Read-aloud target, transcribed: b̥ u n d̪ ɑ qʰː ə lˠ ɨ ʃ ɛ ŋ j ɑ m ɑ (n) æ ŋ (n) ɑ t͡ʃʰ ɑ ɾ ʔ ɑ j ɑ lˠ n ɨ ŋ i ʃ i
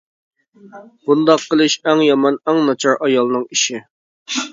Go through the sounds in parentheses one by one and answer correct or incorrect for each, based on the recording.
correct, correct

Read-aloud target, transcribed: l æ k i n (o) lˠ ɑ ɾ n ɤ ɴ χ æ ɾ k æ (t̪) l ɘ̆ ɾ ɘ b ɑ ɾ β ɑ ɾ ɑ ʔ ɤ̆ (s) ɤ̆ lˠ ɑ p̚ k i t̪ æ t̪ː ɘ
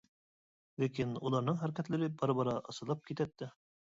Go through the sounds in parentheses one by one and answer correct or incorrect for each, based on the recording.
incorrect: u, correct, correct

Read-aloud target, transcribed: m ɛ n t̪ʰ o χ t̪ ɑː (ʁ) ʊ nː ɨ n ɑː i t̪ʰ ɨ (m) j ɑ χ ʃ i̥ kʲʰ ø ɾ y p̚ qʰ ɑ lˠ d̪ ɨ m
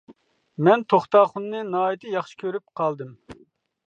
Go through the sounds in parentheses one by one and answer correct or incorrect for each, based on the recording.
incorrect: χ, incorrect: none

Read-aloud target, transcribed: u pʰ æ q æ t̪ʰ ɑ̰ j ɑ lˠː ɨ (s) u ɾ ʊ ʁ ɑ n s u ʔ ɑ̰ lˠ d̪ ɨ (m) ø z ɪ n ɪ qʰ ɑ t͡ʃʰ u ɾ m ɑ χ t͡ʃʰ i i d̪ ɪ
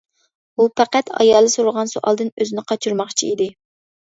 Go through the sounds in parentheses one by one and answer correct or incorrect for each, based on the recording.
correct, incorrect: n

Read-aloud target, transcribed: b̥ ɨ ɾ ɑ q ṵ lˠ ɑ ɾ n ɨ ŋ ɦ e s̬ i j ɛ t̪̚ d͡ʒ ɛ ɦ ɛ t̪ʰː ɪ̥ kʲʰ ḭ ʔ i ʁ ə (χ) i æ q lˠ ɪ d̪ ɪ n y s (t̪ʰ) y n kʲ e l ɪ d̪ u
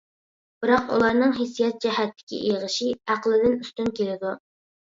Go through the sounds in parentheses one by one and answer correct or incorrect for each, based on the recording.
incorrect: ʃ, incorrect: t̪

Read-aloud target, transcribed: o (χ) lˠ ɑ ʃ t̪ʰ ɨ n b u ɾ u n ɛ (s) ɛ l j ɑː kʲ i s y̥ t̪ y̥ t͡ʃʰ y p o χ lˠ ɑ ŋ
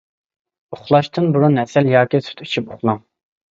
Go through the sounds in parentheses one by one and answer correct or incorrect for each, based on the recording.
correct, correct

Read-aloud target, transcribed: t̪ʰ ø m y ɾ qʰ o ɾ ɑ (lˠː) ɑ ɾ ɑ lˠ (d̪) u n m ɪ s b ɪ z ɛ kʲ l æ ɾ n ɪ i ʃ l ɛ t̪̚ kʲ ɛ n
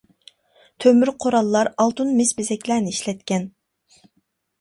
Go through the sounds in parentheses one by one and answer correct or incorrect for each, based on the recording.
correct, incorrect: t̪

